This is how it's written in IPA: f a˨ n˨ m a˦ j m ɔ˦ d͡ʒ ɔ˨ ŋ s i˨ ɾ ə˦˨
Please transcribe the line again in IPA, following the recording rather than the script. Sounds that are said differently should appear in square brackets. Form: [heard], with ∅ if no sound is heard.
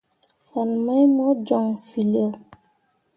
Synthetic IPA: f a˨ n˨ m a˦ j m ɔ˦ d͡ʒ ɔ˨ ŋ [f] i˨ [l] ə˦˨